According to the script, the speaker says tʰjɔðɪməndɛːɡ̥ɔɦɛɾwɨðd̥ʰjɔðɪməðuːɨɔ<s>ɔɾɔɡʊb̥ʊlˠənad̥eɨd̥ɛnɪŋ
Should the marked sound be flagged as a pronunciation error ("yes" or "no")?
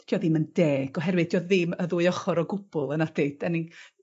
yes